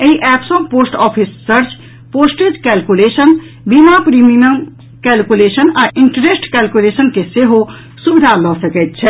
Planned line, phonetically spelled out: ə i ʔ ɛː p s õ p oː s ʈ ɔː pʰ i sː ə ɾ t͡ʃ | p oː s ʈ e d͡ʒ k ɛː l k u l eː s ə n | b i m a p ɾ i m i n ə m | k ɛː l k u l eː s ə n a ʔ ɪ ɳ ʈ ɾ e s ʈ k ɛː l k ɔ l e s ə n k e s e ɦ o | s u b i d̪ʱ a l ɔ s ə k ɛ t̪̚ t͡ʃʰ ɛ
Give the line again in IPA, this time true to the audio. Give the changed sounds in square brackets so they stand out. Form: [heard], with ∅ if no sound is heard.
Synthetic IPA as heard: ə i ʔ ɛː p s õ p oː s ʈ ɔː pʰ i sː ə ɾ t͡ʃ | p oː s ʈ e d͡ʒ k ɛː l k u l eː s ə n | b i m a p ɾ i m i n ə m | k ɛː l k u l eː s ə n a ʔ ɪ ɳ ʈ ɾ e s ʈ k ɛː l k [u] l e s ə n k e s e ɦ o | s u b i d̪ʱ a l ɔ s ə k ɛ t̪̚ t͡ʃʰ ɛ